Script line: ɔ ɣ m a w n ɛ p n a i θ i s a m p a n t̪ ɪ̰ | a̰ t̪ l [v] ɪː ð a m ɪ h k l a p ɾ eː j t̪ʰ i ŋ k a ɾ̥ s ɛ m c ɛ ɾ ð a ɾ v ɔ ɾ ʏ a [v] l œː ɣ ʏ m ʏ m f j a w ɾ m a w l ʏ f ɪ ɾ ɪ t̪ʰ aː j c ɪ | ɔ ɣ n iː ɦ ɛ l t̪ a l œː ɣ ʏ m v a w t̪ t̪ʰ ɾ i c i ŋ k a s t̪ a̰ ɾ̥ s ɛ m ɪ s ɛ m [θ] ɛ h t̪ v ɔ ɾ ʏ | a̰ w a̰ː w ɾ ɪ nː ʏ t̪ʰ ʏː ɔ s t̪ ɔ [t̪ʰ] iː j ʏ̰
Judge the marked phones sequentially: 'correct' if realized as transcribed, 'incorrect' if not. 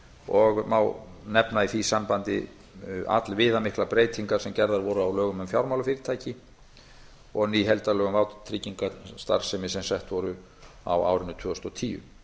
correct, incorrect, incorrect, correct

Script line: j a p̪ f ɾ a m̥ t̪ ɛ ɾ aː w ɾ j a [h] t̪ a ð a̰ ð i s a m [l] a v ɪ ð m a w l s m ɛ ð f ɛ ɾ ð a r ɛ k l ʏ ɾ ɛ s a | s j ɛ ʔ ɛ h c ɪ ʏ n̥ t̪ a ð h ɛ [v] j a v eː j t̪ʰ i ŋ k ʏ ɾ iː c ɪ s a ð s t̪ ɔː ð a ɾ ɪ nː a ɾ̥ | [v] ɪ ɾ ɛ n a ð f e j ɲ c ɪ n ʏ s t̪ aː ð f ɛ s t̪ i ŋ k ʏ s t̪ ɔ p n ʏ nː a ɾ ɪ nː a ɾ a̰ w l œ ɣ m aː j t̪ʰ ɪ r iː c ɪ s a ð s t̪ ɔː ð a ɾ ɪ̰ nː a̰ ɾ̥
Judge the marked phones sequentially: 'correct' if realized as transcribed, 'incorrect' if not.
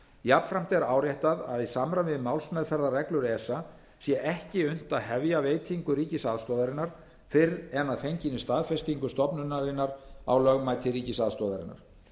correct, incorrect, correct, incorrect

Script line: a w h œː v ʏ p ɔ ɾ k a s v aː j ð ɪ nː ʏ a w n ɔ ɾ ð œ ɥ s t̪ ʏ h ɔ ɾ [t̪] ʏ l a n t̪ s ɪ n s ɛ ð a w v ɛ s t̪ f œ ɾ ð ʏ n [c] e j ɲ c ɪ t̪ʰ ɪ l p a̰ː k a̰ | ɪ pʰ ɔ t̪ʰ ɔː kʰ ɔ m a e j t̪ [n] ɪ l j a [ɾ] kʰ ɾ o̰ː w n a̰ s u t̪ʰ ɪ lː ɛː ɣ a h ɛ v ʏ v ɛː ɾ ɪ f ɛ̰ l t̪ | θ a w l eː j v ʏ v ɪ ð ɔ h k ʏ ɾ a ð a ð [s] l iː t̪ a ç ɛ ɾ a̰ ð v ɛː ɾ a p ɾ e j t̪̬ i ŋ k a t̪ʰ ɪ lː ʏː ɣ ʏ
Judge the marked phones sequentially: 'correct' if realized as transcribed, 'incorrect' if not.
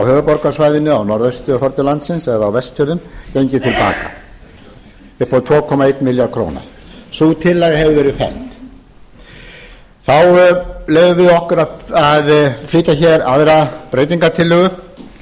correct, correct, incorrect, correct, incorrect

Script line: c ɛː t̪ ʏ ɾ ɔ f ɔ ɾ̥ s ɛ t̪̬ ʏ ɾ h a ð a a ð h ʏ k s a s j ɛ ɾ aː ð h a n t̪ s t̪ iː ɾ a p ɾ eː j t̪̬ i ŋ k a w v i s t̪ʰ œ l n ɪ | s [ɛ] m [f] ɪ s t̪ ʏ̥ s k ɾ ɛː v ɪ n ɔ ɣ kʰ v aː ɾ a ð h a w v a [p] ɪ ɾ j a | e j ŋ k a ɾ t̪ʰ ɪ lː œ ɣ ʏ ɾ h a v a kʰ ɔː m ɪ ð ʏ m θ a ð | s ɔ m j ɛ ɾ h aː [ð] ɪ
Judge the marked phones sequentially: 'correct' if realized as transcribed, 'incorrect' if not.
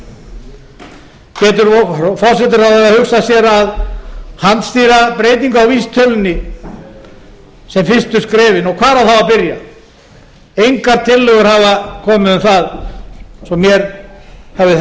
correct, correct, correct, incorrect

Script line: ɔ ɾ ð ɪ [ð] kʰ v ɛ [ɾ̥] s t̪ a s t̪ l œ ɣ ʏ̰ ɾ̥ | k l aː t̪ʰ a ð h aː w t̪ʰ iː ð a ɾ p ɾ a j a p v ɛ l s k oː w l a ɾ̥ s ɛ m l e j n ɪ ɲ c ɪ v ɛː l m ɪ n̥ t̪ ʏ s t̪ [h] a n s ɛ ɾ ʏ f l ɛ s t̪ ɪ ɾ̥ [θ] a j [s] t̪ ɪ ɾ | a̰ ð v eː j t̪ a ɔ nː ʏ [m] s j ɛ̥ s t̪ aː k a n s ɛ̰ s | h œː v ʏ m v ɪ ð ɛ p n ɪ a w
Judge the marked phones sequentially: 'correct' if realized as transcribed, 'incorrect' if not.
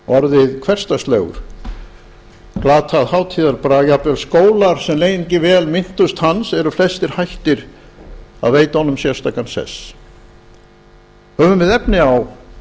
correct, incorrect, correct, incorrect, incorrect, correct

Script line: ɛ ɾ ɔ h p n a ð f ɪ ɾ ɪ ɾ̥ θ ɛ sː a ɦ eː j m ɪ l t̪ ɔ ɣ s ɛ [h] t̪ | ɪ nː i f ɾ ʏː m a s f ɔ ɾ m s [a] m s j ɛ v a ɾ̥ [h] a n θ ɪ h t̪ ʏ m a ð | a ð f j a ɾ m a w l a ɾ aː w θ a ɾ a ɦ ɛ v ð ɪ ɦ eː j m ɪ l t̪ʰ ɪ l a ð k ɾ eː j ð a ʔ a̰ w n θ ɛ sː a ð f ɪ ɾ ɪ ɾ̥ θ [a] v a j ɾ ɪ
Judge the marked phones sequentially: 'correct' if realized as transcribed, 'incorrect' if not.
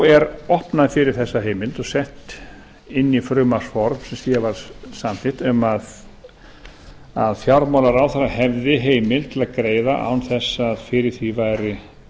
correct, incorrect, incorrect, incorrect

